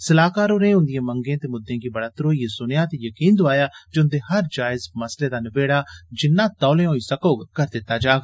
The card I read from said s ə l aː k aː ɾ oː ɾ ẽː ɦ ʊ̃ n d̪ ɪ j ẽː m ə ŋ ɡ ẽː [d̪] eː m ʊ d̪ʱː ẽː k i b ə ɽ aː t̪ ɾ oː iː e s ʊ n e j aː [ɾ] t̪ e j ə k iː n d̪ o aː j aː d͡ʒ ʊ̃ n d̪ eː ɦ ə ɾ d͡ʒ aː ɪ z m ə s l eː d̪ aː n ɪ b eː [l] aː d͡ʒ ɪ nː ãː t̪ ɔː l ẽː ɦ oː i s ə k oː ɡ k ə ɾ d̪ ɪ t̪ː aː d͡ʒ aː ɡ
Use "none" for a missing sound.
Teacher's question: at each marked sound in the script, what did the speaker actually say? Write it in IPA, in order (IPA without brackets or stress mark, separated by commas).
t̪, none, ɽ